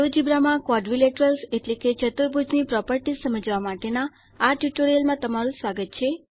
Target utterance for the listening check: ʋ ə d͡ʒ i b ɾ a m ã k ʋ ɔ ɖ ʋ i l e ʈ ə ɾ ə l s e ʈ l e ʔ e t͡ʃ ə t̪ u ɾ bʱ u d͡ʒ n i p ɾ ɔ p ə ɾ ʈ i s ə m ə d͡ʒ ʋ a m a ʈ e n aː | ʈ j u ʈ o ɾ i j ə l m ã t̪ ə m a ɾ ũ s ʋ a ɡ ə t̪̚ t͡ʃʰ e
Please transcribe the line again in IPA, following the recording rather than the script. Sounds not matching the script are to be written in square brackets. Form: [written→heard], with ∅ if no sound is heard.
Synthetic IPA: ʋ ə d͡ʒ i b ɾ a m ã k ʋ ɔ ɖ ʋ i l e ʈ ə ɾ ə l s e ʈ l e [ʔ→k] e t͡ʃ ə t̪ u ɾ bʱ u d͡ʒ n i p ɾ ɔ p ə ɾ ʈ i s ə m ə d͡ʒ ʋ a m a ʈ e n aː | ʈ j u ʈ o ɾ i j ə l m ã t̪ ə m a ɾ ũ s ʋ a ɡ ə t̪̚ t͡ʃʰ e